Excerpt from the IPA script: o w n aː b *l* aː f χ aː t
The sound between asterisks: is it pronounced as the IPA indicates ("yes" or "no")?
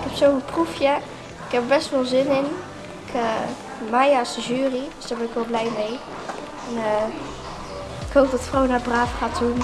no